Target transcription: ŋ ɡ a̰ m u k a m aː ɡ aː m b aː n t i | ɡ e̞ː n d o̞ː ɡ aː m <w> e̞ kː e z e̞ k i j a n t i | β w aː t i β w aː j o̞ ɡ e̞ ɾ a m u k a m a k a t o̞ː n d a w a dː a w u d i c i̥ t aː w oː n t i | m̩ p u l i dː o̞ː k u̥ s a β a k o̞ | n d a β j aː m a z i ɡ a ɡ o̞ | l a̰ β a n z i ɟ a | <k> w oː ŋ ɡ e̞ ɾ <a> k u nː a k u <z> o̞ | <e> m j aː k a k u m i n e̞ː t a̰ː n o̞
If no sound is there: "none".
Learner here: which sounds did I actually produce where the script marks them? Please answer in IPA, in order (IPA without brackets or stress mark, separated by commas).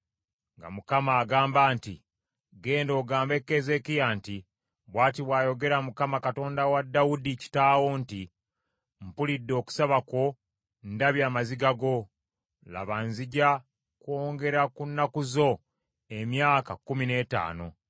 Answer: b, k, a, z, e